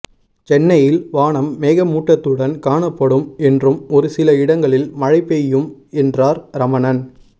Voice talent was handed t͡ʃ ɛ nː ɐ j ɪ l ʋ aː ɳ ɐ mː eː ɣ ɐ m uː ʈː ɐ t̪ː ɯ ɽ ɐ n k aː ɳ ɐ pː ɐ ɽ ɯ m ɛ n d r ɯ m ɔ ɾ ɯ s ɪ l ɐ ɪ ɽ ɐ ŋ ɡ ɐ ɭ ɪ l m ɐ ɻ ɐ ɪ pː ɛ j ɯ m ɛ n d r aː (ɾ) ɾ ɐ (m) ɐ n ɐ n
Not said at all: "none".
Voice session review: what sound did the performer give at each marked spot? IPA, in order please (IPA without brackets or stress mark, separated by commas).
ɾ, m